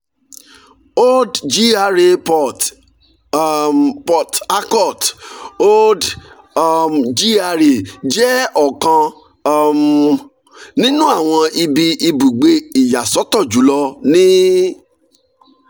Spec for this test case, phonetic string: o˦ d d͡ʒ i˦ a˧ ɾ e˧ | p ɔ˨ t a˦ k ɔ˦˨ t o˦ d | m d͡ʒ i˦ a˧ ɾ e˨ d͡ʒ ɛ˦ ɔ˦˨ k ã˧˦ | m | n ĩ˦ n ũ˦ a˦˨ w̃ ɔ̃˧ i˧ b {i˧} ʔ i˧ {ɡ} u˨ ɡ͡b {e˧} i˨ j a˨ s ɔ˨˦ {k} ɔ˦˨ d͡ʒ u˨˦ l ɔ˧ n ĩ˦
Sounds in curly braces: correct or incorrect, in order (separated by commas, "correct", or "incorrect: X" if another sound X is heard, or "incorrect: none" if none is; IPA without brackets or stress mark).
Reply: correct, incorrect: b, correct, incorrect: t